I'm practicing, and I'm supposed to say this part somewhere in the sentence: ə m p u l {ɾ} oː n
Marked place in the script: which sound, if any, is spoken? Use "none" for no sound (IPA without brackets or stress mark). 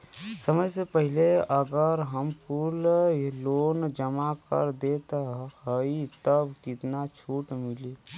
l